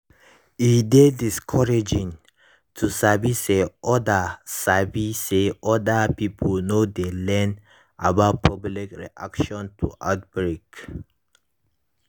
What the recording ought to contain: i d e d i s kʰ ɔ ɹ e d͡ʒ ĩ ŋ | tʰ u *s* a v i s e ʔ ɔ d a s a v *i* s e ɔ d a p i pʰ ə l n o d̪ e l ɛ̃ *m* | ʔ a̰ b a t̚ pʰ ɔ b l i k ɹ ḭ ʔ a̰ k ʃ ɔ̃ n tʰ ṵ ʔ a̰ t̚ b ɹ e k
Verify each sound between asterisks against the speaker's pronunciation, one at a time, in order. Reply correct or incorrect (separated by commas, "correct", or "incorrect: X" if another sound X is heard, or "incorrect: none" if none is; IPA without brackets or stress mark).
correct, correct, incorrect: n